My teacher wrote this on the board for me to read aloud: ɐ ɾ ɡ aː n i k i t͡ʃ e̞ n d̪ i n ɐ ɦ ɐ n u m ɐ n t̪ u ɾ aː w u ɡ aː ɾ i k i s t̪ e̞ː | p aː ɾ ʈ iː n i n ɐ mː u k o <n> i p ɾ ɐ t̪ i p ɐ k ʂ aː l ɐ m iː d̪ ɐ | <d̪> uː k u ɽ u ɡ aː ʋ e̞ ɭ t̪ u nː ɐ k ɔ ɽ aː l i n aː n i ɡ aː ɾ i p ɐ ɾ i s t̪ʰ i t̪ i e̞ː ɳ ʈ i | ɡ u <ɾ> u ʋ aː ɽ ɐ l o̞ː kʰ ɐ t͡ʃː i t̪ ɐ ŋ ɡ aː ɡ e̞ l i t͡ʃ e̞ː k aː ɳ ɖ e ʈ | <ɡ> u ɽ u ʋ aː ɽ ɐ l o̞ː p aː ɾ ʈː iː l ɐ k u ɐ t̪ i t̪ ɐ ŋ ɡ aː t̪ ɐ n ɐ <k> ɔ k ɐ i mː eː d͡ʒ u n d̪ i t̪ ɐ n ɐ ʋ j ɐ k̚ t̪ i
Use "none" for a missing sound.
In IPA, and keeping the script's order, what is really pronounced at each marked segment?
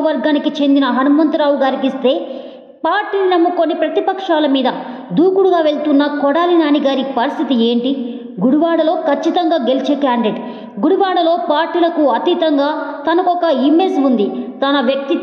nː, d̪, ɽ, ɡ, k

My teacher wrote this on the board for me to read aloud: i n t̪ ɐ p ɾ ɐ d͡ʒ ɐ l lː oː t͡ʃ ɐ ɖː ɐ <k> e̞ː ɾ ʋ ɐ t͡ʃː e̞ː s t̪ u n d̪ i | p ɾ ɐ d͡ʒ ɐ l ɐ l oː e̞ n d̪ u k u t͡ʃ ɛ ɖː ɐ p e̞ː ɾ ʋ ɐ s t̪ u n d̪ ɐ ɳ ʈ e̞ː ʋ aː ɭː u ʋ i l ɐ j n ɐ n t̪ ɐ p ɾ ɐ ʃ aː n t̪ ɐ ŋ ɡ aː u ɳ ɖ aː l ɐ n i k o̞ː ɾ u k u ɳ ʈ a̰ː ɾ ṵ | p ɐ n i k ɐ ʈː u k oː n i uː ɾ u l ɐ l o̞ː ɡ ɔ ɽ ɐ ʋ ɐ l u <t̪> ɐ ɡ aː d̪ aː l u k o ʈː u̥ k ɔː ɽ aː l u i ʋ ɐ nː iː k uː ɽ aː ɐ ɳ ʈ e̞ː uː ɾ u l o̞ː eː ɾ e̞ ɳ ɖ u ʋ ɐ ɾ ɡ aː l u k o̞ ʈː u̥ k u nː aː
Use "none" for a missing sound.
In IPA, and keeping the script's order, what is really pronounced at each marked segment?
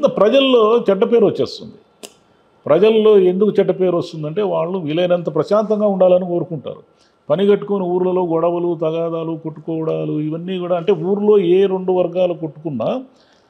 p, t̪

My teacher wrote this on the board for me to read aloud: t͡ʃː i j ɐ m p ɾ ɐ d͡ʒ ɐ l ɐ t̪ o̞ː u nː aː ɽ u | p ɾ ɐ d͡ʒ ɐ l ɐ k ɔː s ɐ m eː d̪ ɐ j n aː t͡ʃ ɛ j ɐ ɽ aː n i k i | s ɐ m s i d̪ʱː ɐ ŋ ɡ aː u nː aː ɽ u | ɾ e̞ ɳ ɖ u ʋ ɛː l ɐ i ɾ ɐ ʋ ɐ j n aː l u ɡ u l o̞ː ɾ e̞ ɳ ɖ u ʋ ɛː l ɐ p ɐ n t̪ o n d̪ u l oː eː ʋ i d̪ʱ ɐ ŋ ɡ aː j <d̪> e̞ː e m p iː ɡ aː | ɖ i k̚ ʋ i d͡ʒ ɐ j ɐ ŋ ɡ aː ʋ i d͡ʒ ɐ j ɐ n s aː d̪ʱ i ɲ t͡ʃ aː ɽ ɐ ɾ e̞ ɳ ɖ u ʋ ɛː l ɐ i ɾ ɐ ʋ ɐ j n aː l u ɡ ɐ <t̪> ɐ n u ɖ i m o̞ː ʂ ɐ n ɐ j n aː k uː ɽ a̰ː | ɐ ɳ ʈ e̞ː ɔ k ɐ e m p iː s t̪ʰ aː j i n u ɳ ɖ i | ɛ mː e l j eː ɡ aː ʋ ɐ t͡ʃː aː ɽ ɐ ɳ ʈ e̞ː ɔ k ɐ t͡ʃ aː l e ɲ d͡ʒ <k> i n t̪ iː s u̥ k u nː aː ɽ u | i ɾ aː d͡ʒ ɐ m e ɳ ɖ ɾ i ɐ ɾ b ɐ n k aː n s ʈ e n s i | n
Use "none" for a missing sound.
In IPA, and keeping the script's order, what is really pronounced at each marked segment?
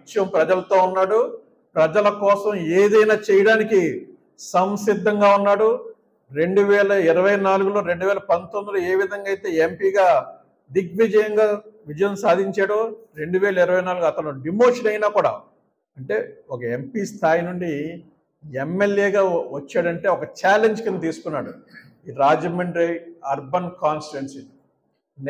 t̪, t̪, k

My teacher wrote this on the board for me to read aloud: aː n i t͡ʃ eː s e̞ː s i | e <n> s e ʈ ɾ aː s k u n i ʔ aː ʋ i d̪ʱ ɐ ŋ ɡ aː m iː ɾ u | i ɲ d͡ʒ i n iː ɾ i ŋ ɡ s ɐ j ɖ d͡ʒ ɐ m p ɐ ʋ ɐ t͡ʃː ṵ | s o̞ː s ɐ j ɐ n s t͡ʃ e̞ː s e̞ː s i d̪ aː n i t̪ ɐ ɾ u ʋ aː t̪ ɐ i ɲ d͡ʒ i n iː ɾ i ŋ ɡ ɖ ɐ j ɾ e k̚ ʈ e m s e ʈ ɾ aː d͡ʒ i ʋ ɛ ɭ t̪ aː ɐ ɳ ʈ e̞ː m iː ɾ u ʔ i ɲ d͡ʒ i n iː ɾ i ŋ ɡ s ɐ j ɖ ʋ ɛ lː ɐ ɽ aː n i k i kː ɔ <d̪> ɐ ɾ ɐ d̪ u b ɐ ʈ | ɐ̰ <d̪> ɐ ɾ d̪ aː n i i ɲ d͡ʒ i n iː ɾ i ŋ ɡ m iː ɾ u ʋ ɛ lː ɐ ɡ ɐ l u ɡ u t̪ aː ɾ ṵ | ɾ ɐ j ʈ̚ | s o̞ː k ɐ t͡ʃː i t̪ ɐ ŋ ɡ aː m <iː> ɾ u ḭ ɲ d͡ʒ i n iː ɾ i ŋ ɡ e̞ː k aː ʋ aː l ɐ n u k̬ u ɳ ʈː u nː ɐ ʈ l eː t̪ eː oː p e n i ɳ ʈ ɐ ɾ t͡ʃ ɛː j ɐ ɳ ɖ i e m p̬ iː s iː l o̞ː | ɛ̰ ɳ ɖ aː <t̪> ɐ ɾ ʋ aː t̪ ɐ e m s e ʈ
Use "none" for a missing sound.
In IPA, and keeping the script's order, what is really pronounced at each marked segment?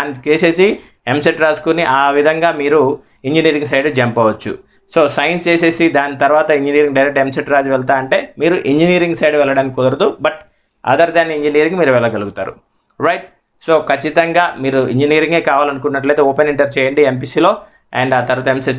m, d̪, d̪, iː, t̪

